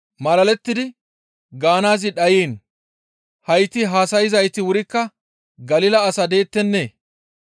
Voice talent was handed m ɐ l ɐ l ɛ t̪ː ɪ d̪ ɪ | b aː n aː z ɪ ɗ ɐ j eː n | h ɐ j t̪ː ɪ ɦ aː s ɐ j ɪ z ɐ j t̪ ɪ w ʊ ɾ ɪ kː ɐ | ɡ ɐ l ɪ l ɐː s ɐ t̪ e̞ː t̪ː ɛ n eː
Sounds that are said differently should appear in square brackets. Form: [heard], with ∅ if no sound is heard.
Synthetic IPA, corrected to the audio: m ɐ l ɐ l ɛ t̪ː ɪ d̪ ɪ | [ɡ] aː n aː z ɪ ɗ ɐ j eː n | h ɐ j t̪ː ɪ ɦ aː s ɐ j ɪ z ɐ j t̪ ɪ w ʊ ɾ ɪ kː ɐ | ɡ ɐ l ɪ l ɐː s ɐ [d̪] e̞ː t̪ː ɛ [nː] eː